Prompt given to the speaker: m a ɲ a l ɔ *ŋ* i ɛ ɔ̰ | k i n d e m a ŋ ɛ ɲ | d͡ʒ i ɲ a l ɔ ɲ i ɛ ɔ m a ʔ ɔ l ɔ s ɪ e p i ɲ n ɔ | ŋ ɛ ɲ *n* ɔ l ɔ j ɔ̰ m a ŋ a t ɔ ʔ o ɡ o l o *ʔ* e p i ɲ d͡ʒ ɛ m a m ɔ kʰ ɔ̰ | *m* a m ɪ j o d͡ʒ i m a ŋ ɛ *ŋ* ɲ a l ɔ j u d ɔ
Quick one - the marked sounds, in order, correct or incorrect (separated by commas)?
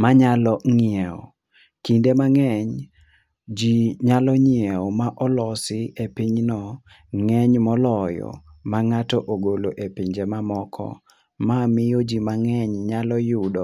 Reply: correct, incorrect, correct, correct, incorrect